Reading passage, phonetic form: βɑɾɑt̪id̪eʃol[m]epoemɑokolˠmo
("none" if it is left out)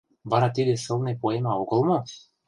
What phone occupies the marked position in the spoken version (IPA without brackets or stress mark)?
n